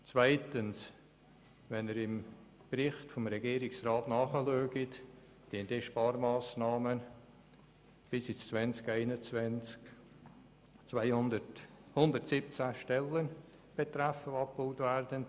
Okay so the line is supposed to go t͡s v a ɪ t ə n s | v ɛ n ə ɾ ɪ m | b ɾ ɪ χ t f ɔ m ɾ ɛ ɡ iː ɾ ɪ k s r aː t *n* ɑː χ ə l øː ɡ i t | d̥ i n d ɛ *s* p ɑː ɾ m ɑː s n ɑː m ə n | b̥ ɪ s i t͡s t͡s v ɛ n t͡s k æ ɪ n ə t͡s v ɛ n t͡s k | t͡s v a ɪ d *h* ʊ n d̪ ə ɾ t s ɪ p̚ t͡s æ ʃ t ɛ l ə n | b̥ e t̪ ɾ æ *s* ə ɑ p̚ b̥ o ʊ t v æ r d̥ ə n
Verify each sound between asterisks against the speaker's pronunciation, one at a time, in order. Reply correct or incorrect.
correct, incorrect, correct, incorrect

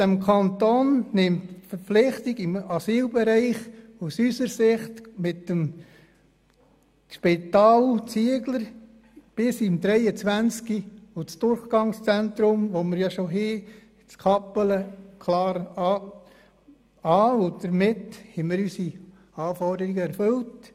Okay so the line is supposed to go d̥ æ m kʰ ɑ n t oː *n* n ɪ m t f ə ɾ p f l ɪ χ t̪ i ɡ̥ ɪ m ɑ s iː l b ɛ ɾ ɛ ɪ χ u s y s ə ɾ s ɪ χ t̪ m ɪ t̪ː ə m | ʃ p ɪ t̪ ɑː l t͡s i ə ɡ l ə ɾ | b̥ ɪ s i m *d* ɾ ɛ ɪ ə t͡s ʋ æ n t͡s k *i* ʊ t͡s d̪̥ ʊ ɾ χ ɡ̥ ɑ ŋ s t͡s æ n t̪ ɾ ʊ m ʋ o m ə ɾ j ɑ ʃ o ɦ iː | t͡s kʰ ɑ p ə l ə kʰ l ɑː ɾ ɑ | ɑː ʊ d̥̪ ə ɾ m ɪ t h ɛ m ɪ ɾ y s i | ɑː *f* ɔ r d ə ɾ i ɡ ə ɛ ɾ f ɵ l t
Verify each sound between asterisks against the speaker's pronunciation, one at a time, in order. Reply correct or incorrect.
correct, correct, correct, correct

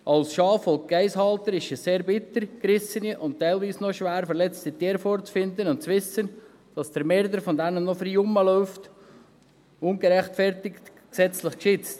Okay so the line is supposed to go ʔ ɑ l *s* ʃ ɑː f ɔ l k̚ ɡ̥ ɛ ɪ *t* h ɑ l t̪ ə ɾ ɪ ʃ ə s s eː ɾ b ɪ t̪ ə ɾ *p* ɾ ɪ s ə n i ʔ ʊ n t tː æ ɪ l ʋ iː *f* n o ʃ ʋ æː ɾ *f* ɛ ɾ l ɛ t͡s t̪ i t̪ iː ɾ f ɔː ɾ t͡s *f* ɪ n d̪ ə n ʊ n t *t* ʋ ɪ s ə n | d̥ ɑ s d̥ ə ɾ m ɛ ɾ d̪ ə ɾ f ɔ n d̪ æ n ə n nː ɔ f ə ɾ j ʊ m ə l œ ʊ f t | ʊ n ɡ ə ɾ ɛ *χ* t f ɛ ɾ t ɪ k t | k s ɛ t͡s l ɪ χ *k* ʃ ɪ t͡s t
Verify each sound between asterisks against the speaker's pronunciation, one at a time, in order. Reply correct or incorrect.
correct, incorrect, incorrect, incorrect, correct, correct, incorrect, correct, correct

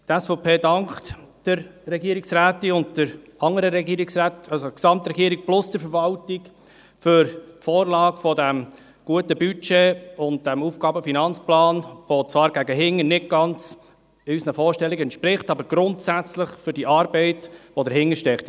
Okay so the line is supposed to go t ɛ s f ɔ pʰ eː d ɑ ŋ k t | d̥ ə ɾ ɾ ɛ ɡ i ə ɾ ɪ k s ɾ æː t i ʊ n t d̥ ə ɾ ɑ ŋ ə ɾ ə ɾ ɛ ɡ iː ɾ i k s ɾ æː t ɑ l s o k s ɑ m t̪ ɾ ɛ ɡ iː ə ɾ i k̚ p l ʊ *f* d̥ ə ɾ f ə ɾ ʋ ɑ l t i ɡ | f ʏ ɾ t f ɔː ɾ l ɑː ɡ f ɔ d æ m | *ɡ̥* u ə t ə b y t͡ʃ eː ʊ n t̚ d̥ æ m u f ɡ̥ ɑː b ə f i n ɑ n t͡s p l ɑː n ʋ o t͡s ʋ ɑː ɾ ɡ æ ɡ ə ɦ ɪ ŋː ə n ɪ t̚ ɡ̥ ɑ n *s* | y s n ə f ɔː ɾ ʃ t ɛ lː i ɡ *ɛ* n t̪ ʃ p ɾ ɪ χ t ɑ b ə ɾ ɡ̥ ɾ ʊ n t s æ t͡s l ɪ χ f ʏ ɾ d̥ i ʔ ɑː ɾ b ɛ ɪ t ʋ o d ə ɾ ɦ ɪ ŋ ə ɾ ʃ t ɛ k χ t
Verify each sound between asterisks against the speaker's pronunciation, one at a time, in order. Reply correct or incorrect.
incorrect, correct, incorrect, correct

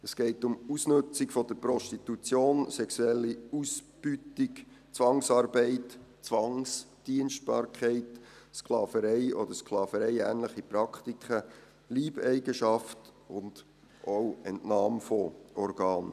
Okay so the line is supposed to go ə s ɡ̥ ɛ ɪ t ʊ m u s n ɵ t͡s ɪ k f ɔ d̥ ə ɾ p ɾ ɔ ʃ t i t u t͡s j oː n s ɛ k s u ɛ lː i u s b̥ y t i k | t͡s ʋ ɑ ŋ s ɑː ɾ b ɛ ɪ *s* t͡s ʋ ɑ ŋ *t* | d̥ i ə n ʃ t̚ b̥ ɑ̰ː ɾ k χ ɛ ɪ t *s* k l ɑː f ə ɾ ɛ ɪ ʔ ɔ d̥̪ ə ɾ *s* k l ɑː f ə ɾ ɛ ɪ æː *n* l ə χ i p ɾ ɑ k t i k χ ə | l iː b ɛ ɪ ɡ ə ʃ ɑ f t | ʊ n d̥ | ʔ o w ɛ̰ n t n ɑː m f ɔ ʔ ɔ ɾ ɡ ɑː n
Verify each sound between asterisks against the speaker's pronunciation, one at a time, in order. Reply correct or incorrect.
incorrect, incorrect, correct, correct, correct

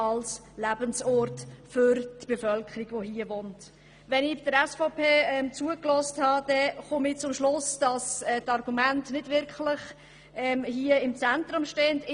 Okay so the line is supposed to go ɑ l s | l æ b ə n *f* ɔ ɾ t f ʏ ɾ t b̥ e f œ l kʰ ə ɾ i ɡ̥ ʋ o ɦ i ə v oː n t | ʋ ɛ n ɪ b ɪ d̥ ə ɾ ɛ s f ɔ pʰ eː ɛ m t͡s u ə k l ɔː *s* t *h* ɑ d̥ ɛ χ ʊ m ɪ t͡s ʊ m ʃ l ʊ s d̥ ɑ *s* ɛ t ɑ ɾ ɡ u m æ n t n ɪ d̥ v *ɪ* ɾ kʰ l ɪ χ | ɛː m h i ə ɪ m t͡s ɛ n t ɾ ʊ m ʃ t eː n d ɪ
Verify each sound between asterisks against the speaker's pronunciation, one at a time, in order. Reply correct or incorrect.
incorrect, correct, correct, correct, correct

